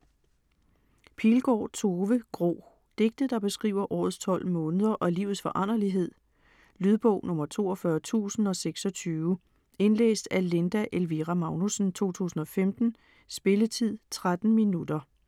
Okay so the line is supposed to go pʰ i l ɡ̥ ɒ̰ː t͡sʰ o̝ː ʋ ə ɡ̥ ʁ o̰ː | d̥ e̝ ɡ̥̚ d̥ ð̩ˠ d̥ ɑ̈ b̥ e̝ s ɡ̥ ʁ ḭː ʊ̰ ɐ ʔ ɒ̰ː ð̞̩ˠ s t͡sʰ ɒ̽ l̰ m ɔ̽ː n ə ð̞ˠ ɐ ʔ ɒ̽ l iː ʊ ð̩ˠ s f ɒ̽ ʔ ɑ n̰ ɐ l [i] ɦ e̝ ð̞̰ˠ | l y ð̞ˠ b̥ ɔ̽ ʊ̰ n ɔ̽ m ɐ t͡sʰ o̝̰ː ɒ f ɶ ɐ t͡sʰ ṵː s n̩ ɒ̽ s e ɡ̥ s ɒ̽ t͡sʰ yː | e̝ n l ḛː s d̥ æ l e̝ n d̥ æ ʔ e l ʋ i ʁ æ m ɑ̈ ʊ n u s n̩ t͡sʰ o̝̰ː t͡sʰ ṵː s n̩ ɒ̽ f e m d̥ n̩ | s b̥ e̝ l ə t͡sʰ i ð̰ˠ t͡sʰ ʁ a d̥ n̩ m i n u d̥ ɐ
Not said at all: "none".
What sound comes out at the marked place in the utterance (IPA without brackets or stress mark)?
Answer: i